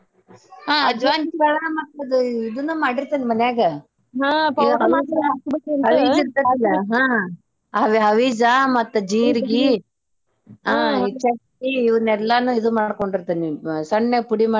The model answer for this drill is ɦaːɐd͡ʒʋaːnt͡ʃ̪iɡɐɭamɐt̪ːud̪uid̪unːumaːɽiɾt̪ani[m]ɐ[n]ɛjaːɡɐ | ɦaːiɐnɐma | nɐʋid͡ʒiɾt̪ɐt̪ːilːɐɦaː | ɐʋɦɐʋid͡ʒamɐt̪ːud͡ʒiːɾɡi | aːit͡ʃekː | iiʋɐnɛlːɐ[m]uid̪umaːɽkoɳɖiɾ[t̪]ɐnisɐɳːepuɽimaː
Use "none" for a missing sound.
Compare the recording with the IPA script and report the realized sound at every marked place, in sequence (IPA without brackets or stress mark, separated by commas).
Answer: m, n, n, t̪